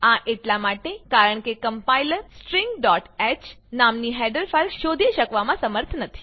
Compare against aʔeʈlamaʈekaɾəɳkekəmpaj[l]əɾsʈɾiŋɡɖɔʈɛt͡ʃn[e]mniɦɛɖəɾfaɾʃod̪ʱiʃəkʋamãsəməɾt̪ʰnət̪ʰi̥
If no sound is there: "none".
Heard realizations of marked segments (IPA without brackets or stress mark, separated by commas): l, a